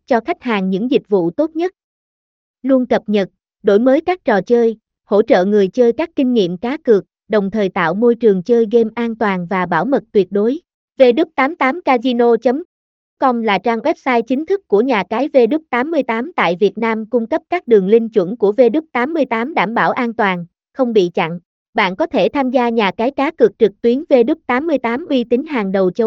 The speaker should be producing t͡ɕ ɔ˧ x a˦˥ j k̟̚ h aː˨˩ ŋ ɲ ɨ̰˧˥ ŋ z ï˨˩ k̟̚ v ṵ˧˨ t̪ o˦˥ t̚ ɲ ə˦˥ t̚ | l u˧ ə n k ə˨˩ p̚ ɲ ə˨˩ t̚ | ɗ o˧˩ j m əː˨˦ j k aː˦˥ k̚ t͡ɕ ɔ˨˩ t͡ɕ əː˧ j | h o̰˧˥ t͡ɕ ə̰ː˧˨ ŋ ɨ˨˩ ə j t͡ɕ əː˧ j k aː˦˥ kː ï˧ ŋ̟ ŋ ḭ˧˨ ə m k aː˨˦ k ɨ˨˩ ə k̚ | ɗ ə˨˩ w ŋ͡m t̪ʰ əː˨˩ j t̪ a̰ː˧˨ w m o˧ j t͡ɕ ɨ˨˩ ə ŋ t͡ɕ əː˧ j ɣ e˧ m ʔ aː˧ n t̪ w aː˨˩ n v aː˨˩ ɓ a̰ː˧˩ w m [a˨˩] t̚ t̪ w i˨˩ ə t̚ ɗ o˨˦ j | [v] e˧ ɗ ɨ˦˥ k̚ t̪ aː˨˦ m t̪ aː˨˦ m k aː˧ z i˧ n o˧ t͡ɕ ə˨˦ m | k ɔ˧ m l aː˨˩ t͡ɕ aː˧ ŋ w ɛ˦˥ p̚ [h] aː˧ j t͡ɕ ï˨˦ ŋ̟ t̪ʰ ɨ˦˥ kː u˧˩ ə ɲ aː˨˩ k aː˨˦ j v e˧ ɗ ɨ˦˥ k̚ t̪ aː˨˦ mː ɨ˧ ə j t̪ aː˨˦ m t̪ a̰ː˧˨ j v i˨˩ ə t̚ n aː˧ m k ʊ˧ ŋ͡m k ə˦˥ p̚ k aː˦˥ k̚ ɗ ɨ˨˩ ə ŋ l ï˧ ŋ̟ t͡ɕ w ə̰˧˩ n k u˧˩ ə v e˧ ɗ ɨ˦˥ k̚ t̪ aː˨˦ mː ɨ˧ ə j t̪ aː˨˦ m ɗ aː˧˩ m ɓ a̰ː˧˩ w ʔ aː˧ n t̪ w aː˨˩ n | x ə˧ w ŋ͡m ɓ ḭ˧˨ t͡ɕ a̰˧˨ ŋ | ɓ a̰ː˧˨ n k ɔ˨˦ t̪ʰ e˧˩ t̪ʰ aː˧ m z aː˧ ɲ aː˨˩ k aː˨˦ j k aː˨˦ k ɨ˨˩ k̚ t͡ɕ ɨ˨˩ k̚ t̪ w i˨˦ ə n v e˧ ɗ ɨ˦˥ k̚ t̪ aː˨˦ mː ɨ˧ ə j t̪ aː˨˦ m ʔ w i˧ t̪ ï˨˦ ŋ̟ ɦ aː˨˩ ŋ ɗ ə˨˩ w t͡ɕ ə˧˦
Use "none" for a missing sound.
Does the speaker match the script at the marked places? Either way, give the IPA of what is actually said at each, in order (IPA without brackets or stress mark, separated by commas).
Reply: ə˨˩, v, s